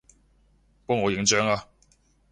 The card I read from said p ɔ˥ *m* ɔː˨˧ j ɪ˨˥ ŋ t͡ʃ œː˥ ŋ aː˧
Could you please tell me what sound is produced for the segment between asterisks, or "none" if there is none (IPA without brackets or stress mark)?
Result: ŋ